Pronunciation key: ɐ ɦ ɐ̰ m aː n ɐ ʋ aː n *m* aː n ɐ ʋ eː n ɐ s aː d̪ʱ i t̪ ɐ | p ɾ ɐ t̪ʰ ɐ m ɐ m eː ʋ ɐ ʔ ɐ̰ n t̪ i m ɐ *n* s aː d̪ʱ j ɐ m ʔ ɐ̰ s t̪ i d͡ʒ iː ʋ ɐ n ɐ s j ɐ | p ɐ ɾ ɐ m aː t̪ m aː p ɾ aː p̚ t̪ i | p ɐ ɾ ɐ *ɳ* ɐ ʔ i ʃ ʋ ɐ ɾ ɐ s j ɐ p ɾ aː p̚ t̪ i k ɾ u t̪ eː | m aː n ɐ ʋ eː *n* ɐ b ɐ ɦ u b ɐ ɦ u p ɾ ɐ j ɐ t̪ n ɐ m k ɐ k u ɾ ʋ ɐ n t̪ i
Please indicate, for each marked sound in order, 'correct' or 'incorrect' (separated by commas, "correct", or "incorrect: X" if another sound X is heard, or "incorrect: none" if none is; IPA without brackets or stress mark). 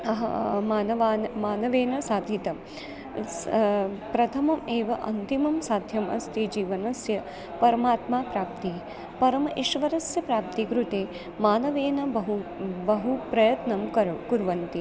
correct, incorrect: m, incorrect: m, correct